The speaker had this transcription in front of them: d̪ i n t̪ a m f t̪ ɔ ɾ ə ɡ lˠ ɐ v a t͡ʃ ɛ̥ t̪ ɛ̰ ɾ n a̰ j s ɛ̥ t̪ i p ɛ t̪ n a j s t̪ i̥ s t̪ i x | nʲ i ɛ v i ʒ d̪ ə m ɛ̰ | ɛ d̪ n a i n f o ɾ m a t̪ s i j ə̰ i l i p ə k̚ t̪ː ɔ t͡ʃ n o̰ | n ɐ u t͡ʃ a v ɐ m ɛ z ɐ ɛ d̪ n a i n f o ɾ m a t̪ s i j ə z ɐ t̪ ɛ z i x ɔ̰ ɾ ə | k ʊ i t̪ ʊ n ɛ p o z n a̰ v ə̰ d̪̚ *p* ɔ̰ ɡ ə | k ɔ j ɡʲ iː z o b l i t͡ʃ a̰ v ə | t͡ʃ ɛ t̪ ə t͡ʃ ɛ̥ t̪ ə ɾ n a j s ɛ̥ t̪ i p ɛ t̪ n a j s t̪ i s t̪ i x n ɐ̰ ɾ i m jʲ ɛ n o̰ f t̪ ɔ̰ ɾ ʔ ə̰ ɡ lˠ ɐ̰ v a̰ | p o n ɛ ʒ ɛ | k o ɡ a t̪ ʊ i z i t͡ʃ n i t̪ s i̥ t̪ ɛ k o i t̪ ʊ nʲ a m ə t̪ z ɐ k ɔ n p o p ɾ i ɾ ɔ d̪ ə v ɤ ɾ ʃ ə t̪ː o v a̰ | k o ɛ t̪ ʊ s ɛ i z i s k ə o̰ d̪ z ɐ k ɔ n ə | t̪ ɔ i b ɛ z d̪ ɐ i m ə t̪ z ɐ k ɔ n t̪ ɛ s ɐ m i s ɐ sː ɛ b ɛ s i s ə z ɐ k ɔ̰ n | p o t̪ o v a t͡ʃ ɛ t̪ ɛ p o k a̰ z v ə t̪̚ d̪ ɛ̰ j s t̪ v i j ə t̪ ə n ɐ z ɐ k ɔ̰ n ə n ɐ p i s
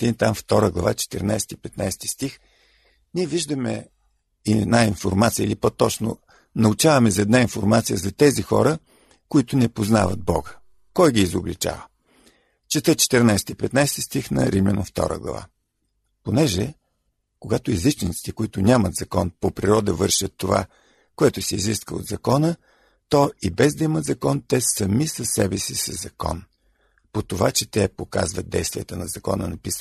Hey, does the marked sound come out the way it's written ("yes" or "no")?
no